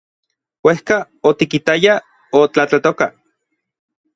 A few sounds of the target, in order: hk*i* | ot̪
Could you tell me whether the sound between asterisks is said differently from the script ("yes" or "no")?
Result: yes